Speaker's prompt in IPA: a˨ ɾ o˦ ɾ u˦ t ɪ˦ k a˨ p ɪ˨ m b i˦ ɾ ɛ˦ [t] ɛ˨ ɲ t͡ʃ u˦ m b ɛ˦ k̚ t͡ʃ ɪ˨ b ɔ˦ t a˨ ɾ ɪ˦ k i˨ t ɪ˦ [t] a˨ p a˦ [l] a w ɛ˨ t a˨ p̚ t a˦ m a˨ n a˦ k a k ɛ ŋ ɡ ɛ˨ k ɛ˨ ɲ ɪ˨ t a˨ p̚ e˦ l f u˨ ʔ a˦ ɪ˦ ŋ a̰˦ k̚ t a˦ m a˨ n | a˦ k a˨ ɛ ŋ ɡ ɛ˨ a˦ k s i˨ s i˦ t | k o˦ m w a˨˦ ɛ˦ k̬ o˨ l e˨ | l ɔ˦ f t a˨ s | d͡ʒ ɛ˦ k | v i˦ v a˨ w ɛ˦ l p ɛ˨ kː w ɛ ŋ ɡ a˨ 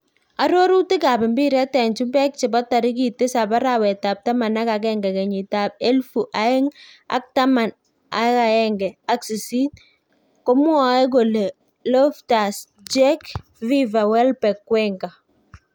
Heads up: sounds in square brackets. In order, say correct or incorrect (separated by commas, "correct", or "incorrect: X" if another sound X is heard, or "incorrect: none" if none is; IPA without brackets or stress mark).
correct, incorrect: s, incorrect: ɾ